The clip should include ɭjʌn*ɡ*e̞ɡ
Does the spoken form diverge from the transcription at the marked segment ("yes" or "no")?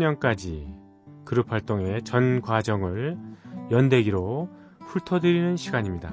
yes